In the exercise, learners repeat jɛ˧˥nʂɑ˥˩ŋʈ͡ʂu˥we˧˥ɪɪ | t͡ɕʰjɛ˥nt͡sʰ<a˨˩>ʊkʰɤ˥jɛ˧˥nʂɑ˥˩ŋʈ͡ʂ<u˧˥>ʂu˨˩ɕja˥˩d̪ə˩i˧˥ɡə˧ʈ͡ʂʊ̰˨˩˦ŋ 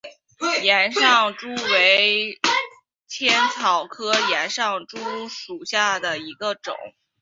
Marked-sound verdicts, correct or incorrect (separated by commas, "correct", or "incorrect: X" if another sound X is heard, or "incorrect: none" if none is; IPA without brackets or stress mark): incorrect: ɑ˨˩, incorrect: u˥